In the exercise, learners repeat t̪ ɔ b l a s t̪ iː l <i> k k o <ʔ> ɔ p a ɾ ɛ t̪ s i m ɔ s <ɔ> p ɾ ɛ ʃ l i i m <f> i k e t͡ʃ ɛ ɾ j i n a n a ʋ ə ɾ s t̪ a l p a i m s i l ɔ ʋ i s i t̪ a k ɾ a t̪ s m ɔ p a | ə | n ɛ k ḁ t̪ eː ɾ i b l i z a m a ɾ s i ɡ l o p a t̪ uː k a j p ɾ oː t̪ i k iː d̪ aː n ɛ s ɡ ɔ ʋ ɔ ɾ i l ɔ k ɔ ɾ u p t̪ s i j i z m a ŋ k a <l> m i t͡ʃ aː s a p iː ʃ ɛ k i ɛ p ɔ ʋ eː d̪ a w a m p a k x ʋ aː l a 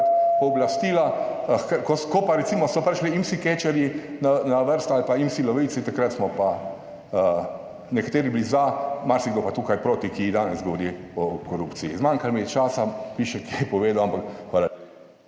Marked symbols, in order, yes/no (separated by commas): no, no, yes, no, yes